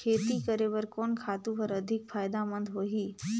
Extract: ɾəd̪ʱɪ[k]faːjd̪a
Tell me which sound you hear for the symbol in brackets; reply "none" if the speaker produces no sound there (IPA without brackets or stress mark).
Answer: k